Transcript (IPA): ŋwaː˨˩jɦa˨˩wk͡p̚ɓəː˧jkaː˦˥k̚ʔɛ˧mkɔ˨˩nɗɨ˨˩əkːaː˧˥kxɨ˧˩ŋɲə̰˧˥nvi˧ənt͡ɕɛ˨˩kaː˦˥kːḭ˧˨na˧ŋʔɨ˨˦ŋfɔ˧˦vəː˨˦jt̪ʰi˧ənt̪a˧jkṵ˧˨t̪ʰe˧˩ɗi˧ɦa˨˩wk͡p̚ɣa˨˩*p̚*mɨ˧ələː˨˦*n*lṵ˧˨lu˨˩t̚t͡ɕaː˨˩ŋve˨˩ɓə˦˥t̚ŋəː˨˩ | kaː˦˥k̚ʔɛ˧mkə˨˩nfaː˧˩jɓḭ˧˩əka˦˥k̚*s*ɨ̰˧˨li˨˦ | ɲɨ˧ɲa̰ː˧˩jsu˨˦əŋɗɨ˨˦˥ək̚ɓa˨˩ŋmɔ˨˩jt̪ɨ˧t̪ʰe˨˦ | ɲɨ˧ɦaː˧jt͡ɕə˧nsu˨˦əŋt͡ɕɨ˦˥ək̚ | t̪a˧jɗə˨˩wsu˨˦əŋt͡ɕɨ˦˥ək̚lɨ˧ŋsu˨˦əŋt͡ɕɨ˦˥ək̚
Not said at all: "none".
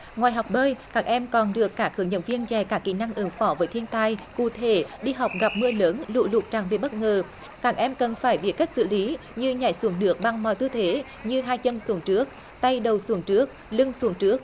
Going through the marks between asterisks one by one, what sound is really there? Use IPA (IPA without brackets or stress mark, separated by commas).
p̚, n, s